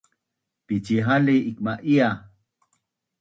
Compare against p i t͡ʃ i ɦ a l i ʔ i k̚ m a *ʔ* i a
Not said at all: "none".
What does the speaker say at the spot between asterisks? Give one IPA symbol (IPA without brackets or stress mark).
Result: ʔ